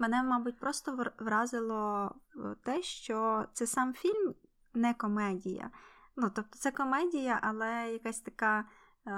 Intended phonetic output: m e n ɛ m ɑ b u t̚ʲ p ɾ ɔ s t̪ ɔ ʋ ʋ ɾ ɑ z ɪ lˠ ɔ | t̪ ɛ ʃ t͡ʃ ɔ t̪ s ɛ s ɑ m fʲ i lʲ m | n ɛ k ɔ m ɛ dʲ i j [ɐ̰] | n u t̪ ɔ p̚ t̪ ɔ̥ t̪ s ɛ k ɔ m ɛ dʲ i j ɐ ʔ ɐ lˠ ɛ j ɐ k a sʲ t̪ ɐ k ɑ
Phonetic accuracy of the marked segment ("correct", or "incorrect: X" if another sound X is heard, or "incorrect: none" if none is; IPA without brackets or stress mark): correct